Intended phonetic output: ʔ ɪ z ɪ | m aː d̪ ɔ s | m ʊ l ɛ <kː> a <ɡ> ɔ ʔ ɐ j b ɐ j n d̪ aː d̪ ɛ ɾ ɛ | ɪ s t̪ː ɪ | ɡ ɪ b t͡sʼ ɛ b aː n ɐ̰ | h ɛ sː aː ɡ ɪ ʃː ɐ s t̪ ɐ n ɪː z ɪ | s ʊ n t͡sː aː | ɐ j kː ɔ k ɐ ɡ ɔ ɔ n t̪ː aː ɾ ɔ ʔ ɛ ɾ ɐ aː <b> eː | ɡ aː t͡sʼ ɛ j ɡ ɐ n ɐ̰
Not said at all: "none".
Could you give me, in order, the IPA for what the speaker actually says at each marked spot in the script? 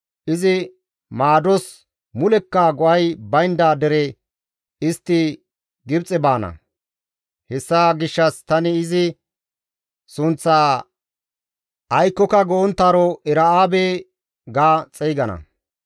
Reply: kː, ɡ, b

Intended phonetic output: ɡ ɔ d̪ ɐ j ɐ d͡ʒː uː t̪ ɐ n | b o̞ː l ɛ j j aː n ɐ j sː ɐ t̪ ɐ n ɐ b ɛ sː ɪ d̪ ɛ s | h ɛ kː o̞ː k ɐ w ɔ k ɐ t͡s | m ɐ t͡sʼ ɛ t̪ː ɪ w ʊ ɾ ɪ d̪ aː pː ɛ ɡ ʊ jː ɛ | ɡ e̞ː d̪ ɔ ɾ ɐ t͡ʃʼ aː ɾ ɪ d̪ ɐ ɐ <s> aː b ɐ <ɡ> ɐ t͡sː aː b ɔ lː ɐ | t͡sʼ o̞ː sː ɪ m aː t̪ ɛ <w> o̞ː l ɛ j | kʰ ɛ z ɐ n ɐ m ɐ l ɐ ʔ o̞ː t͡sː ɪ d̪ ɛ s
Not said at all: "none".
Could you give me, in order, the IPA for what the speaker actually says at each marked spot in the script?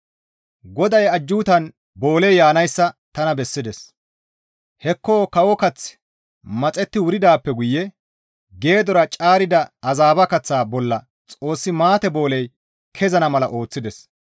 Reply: z, k, b

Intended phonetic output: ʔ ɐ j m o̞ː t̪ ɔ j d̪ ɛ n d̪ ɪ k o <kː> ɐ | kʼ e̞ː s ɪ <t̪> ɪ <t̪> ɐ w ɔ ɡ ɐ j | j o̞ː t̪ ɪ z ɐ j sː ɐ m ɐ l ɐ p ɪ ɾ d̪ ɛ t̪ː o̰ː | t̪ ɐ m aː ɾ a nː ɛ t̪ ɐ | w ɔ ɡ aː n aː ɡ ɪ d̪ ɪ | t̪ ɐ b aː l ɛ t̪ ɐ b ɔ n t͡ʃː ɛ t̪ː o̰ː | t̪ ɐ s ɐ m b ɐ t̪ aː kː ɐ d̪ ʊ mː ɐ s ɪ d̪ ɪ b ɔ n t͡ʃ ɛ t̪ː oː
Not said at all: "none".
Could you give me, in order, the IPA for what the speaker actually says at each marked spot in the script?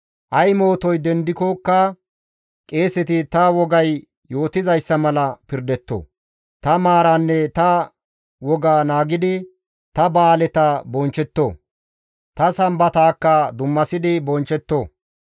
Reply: kː, t̪, t̪

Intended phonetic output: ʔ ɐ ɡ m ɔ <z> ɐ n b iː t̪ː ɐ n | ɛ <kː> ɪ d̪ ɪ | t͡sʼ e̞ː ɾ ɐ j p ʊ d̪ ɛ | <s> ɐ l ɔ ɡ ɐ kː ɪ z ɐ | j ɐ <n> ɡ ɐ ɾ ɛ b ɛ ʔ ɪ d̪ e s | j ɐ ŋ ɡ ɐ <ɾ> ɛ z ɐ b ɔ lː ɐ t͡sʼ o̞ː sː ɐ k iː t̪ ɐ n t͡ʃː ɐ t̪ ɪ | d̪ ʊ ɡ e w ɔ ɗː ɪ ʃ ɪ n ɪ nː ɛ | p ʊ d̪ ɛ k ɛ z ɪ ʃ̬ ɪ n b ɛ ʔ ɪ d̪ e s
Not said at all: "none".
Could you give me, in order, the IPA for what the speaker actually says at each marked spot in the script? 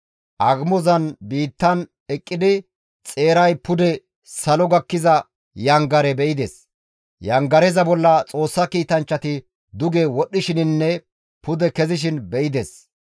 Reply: z, kʼː, s, ŋ, ɾ

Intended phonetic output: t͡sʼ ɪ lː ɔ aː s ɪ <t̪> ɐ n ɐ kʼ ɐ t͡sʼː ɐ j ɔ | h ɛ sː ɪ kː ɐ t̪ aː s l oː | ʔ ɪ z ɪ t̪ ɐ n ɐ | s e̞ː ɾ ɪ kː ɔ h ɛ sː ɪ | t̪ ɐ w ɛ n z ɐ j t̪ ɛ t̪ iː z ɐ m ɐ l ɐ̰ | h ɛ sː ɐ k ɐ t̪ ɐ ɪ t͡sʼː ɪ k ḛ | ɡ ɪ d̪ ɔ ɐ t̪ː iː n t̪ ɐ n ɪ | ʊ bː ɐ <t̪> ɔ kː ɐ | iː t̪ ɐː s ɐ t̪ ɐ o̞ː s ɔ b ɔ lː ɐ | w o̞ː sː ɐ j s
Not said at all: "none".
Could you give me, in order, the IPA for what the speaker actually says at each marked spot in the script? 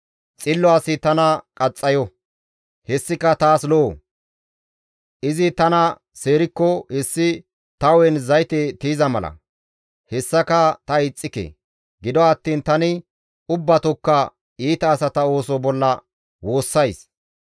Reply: t̪, t̪

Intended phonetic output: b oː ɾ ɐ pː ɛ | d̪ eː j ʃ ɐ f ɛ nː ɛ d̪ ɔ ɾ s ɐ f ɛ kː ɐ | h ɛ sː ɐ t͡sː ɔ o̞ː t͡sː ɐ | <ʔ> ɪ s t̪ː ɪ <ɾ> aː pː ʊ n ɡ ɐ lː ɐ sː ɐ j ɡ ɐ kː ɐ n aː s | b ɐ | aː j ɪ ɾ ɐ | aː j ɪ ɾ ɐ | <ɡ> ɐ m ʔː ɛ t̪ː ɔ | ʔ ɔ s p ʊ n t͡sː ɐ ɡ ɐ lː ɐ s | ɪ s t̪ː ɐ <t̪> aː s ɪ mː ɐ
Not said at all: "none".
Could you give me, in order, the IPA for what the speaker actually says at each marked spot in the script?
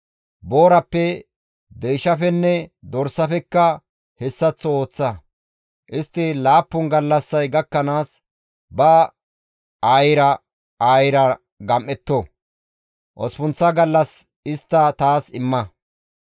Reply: ʔ, l, ɡ, t̪

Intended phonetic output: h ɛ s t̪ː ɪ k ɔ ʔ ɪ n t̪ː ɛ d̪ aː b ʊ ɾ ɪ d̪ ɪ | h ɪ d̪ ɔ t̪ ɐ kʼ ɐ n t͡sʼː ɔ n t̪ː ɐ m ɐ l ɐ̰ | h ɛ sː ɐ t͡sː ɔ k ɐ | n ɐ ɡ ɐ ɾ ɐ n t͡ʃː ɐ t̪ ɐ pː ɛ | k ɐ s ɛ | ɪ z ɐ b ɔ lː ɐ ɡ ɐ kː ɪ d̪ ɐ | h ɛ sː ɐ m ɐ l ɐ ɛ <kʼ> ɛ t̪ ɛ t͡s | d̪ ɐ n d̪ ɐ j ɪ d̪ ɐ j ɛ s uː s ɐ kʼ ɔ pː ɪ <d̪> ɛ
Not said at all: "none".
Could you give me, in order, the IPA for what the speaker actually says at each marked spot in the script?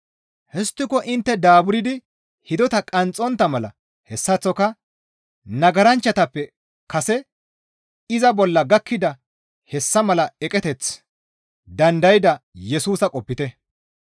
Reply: kʼ, t̪

